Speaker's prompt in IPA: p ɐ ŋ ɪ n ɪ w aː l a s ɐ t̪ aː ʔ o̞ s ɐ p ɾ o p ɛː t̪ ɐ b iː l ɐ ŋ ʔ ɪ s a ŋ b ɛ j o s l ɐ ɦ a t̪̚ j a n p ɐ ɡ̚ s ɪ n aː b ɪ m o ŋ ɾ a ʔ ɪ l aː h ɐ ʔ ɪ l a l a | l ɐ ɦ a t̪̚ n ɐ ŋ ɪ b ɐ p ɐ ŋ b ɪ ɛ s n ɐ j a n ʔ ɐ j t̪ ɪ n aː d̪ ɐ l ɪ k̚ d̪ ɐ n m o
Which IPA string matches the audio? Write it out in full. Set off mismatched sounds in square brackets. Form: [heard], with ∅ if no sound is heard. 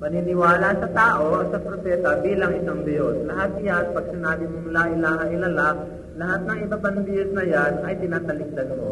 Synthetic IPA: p ɐ [n] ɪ n ɪ w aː l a s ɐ t̪ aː ʔ o̞ s ɐ p ɾ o p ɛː t̪ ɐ b iː l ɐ ŋ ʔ ɪ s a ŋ b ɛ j o s l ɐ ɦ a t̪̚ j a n p ɐ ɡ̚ s ɪ n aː b ɪ m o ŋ [l] a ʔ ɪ l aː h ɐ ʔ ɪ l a l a | l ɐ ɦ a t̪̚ n ɐ ŋ ɪ b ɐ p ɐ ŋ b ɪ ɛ s n ɐ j a n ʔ ɐ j t̪ ɪ n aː [t̪] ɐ l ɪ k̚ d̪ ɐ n m o